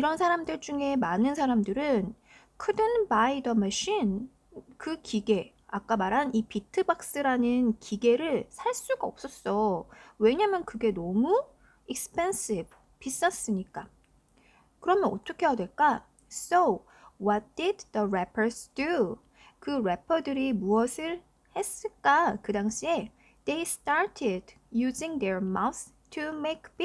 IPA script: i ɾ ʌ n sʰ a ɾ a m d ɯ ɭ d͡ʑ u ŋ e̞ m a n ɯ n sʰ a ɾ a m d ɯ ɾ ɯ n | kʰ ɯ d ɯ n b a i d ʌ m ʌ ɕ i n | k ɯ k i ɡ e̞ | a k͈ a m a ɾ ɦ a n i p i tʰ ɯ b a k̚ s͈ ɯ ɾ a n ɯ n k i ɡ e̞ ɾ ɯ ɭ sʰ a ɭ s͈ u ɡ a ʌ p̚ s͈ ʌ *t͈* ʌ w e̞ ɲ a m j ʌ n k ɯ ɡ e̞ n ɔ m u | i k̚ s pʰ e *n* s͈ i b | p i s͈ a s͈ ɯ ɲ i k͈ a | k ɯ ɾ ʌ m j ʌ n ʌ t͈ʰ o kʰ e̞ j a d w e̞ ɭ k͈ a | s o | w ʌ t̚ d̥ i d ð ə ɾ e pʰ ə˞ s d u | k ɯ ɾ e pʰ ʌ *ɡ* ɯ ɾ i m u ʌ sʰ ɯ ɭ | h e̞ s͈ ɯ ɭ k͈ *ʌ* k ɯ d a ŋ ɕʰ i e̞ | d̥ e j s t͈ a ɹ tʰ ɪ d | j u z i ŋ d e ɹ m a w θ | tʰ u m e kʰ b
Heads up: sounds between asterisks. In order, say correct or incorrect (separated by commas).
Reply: incorrect, correct, incorrect, incorrect